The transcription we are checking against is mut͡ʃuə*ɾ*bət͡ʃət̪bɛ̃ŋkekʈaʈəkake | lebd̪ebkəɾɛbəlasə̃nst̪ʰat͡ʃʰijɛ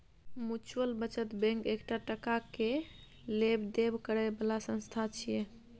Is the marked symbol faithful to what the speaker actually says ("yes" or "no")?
no